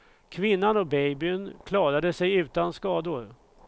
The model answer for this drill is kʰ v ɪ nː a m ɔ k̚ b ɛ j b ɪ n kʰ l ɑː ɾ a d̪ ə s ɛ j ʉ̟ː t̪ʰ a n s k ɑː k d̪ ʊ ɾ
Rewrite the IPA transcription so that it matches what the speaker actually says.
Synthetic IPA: kʰ v ɪ nː a n ɔ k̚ b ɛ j b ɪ n kʰ l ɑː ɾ a d̪ ə s ɛ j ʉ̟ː t̪ a n s k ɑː d̪ ʊ ɾ